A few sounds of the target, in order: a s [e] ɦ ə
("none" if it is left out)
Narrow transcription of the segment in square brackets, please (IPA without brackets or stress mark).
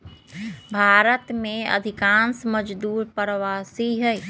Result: i